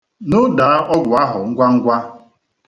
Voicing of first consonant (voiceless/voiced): voiced